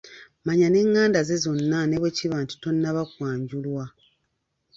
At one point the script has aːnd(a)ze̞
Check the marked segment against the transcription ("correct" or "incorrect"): correct